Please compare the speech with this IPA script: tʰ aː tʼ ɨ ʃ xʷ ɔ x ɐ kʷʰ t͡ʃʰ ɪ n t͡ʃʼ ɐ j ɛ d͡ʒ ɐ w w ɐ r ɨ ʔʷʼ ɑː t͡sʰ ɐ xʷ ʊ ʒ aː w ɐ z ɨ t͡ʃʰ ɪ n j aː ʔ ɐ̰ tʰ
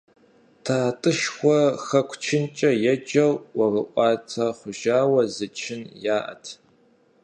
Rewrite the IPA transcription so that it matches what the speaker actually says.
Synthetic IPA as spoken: tʰ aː tʼ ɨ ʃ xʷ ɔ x ɐ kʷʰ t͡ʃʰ ɪ n t͡ʃʼ ɐ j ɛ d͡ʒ ɐ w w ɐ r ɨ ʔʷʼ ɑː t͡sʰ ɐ χʷ ʊ ʒ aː w ɐ z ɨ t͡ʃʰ ɪ n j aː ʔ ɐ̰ tʰ

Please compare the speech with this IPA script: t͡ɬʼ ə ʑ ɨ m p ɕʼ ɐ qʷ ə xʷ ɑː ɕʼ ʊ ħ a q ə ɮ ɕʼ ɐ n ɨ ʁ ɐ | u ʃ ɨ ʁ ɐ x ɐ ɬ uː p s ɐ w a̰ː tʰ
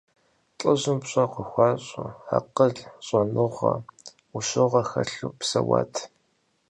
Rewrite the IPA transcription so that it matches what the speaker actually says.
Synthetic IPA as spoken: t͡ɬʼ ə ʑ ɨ m p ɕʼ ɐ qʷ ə xʷ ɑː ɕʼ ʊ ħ a q ə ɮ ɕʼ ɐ n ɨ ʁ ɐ | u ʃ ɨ ʁ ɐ x ɐ ɬ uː p s ɐ w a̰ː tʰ

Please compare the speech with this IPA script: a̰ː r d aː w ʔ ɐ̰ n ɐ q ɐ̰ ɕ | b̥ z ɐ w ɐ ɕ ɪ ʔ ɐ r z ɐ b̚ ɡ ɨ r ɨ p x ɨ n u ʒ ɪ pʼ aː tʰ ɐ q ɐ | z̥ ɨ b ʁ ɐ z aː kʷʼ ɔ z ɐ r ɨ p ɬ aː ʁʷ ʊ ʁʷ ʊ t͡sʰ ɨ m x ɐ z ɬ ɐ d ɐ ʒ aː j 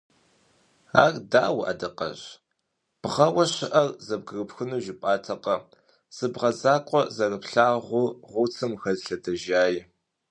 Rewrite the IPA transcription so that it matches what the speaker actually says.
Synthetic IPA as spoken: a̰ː r d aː w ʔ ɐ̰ d ɐ q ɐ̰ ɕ | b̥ ʁ ɐ w ɐ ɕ ɪ ʔ ɐ r z ɐ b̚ ɡ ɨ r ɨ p x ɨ n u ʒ ɪ pʼ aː tʰ ɐ q ɐ | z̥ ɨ b ʁ ɐ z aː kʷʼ ɔ z ɐ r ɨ p ɬ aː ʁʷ ʊ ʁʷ ʊ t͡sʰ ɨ m x ɐ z ɬ ɐ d ɐ ʒ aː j

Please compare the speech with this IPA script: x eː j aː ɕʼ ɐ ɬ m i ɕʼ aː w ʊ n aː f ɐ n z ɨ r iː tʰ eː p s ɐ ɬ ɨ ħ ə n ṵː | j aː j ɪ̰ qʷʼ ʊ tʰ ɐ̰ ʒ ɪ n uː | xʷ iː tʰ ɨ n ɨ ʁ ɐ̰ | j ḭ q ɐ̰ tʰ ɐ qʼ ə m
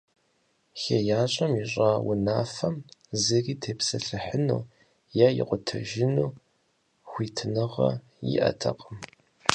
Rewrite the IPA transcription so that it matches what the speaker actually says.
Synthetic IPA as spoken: x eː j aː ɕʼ ɐ m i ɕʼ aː w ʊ n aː f ɐ m z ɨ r iː tʰ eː p s ɐ ɬ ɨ ħ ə n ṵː | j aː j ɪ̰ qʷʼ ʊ tʰ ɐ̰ ʒ ɪ n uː | xʷ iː tʰ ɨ n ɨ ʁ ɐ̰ | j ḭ ʔ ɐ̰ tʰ ɐ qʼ ə m

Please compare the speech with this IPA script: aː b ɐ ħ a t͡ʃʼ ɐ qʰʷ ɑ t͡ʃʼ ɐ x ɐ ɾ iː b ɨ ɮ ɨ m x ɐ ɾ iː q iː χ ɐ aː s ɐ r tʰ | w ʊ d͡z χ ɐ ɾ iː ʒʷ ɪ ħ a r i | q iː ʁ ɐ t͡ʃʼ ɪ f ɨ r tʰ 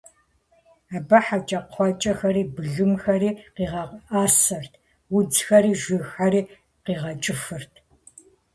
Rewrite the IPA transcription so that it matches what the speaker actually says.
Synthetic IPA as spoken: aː b ɐ ħ a t͡ʃʼ ɐ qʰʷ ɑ t͡ʃʼ ɐ x ɐ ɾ iː b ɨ ɮ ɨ m x ɐ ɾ iː q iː ʁ ɐ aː s ɐ r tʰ | w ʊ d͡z x ɐ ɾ iː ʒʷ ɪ x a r iː | q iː ʁ ɐ t͡ʃʼ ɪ f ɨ r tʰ

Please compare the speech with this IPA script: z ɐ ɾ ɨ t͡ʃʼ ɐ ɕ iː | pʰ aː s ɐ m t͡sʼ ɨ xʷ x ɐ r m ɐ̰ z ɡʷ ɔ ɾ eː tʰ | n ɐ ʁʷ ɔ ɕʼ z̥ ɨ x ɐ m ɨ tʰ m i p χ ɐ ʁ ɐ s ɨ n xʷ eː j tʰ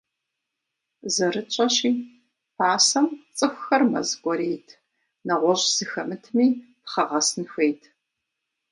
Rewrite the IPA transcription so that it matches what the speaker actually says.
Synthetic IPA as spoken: z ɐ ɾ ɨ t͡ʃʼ ɐ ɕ iː | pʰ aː s ɐ m t͡sʼ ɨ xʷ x ɐ r m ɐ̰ z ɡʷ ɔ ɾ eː tʰ | n ɐ ʁʷ ɔ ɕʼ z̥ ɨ x ɐ m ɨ tʰ m iː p χ ɐ ʁ ɐ s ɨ n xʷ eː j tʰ

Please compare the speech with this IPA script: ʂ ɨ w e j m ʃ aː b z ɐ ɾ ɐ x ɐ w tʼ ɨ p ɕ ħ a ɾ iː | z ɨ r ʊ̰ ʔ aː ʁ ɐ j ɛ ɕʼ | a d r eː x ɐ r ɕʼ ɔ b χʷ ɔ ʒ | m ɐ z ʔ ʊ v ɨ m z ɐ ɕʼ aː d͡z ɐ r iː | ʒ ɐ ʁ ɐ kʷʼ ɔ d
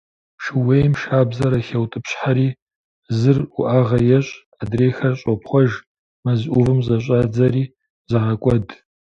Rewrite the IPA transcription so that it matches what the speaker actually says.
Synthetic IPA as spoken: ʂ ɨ w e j m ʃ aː b z ɐ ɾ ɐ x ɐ w tʼ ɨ p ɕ ħ a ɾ iː | z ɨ r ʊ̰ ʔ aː ʁ ɐ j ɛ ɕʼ | a d r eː x ɐ r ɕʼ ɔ p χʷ ɔ ʒ | m ɐ z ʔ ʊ v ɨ m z ɐ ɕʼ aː d͡z ɐ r iː | z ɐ ʁ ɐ kʷʼ ɔ d

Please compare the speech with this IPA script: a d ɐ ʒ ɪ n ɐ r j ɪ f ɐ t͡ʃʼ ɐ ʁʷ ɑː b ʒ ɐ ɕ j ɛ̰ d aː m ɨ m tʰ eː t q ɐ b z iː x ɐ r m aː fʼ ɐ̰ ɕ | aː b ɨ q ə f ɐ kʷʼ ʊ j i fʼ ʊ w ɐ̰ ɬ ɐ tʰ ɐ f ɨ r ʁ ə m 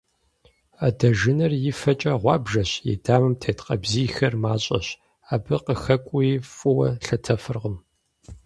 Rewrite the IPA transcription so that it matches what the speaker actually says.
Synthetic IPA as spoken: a d ɐ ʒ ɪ n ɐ r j ɪ f ɐ t͡ʃʼ ɐ ʁʷ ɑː b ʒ ɐ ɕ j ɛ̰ d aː m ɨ m tʰ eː t q ɐ b z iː x ɐ r m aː ɕʼ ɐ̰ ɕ | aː b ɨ q ə x ɐ kʷʼ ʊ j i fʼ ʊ w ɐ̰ ɬ ɐ tʰ ɐ f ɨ r ʁ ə m

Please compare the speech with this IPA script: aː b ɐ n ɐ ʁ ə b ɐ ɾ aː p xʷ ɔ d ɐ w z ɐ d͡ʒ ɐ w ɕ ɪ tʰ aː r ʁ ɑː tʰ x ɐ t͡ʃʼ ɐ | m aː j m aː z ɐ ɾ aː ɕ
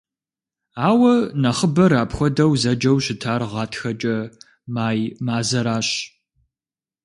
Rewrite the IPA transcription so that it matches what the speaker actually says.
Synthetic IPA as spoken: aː w ɐ n ɐ χ ə b ɐ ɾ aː p xʷ ɔ d ɐ w z ɐ d͡ʒ ɐ w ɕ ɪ tʰ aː r ʁ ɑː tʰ x ɐ t͡ʃʼ ɐ | m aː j m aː z ɐ ɾ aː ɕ

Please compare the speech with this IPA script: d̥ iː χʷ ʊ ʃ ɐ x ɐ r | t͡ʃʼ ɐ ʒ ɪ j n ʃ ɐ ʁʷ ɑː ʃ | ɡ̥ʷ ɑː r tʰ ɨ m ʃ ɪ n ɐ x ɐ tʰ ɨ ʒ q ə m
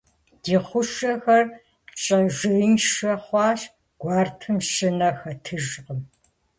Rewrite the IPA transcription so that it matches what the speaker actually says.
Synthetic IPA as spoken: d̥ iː χʷ ʊ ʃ ɐ x ɐ r | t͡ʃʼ ɐ ʒ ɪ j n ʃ ɐ χʷ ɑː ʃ | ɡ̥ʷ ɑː r tʰ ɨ m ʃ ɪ n ɐ x ɐ tʰ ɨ ʒ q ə m

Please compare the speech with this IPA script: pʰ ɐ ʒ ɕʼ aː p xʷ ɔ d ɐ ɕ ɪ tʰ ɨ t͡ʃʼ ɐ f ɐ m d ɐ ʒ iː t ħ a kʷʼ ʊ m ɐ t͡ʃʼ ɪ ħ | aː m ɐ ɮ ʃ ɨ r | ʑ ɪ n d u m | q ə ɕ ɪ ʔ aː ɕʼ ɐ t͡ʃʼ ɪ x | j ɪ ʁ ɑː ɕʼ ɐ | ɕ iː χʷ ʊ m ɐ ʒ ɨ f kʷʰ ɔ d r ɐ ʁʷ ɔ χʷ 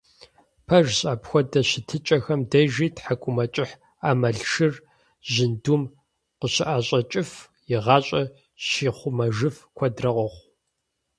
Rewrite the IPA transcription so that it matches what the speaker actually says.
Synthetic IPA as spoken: pʰ ɐ ʒ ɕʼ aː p xʷ ɔ d ɐ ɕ ɪ tʰ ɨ t͡ʃʼ ɐ x ɐ m d ɐ ʒ iː t ħ a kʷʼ ʊ m ɐ t͡ʃʼ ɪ ħ | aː m ɐ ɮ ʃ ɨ r | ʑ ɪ n d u m | q ə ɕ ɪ ʔ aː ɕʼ ɐ t͡ʃʼ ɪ f | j ɪ ʁ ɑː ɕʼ ɐ | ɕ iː χʷ ʊ m ɐ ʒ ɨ f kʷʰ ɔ d r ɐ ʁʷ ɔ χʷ

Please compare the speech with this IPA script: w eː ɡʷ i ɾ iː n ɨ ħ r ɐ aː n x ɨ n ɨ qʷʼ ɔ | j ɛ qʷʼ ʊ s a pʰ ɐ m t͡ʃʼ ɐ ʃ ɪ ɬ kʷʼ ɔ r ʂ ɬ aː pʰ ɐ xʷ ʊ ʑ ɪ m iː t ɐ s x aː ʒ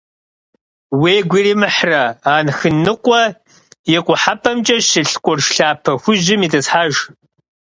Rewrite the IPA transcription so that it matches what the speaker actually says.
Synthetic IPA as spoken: w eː ɡʷ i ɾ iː m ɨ ħ r ɐ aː n x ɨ n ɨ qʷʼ ɔ | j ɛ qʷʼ ʊ ħ a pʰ ɐ m t͡ʃʼ ɐ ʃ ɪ ɬ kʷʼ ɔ r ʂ ɬ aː pʰ ɐ xʷ ʊ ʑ ɪ m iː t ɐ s ħ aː ʒ

